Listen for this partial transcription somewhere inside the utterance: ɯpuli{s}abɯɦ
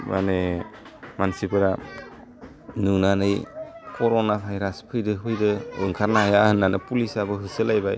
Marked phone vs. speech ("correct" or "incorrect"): correct